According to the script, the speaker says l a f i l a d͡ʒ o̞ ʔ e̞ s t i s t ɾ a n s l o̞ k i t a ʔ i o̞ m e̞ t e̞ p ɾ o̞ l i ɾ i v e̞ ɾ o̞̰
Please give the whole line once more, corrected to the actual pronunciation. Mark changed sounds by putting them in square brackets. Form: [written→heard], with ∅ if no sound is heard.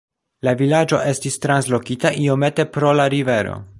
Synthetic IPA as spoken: l a [f→v] i l a d͡ʒ o̞ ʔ e̞ s t i s t ɾ a n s l o̞ k i t a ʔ i o̞ m e̞ t e̞ p ɾ o̞ l [i→a] ɾ i v e̞ ɾ o̞̰